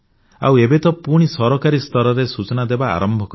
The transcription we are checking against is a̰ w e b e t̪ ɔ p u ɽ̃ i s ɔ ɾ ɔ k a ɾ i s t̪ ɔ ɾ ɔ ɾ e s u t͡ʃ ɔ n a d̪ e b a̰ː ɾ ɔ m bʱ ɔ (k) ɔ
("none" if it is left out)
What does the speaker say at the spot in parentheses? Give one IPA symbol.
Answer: k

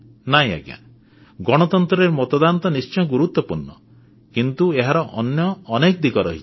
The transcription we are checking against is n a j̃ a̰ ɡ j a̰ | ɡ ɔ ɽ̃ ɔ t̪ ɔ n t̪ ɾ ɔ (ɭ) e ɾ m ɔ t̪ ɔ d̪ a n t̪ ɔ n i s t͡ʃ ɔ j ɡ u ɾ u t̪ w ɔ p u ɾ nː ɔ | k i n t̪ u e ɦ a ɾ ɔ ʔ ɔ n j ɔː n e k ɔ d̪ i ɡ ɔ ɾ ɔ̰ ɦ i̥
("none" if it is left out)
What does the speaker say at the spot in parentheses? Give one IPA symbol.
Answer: ɾ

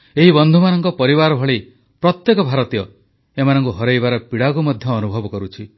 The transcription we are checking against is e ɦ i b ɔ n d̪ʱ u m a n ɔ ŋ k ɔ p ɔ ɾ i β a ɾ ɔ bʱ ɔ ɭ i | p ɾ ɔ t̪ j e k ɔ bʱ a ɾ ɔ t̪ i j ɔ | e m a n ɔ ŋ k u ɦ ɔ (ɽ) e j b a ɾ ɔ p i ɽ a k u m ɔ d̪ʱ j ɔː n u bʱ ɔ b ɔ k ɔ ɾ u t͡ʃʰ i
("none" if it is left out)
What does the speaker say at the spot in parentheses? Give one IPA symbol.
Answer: ɾ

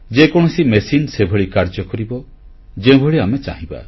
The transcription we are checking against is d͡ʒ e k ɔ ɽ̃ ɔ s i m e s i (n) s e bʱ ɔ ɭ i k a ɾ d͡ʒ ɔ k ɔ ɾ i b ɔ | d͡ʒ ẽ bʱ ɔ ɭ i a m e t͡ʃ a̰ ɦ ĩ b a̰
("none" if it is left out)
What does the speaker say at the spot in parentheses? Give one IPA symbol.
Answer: n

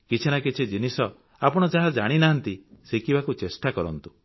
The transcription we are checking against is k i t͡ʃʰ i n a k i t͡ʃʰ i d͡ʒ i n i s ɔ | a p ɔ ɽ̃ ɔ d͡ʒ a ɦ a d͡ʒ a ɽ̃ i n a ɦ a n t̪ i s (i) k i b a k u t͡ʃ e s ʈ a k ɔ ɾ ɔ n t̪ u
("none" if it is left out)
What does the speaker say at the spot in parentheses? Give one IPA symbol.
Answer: e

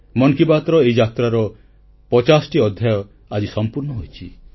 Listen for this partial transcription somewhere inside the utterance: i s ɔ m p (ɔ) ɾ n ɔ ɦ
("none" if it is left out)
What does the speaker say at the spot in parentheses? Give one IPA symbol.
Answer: u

